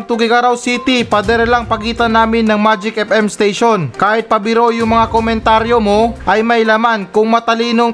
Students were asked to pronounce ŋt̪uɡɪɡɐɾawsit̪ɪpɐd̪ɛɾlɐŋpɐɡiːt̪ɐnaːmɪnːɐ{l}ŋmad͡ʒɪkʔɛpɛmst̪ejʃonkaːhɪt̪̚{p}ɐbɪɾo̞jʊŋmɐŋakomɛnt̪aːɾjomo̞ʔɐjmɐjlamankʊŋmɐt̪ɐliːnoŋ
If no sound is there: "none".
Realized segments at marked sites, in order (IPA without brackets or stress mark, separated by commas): none, p